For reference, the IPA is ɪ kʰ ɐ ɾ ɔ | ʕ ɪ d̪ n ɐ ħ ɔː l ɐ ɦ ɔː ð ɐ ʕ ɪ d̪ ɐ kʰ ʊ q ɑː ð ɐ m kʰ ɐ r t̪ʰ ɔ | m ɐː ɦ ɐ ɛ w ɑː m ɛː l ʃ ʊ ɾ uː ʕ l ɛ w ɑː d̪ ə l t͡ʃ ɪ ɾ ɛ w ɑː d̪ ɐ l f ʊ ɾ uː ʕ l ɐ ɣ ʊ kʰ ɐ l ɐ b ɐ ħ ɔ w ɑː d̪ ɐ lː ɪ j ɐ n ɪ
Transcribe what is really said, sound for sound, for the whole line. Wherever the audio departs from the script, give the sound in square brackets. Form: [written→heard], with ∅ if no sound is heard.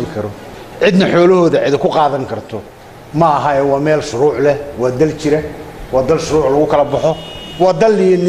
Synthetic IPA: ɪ kʰ ɐ ɾ ɔ | ʕ ɪ d̪ n ɐ ħ ɔː l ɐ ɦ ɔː ð ɐ ʕ ɪ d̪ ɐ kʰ ʊ q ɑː ð ɐ [m→ŋ] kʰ ɐ r t̪ʰ ɔ | m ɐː ɦ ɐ ɛ w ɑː m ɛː l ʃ ʊ ɾ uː ʕ l ɛ w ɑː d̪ [ə→ɐ] l t͡ʃ ɪ ɾ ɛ w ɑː d̪ ɐ l [f→ʃ] ʊ ɾ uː ʕ l ɐ ɣ ʊ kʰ ɐ l ɐ b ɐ ħ ɔ w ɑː d̪ ɐ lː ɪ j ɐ n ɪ